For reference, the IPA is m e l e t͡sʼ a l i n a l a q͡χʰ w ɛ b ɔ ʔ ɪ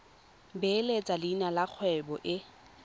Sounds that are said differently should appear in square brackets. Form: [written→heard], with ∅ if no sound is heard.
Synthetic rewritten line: [m→b] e l e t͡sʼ a l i n a l a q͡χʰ w ɛ b ɔ ʔ ɪ